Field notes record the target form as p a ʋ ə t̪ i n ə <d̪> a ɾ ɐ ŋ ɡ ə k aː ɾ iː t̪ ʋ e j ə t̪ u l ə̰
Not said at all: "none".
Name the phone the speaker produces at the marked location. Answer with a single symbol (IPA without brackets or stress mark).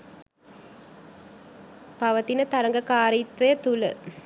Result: t̪